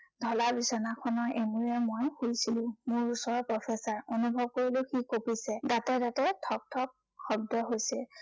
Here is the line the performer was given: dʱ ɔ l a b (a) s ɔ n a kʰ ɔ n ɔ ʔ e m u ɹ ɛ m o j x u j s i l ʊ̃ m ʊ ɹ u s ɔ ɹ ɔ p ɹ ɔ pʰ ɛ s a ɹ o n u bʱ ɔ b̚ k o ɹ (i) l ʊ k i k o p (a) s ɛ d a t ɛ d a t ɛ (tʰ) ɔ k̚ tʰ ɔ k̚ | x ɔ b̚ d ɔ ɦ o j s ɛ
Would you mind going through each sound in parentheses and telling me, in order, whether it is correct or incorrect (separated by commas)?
incorrect, correct, incorrect, correct